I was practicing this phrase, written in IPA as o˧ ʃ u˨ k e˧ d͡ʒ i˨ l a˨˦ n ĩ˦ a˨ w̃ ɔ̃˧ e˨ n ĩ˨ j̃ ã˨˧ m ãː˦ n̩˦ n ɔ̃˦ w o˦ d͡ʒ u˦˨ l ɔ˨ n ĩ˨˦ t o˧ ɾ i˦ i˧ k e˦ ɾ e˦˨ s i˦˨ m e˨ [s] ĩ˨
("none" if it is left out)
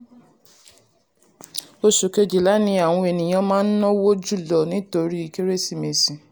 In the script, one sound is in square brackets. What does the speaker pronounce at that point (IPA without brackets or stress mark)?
s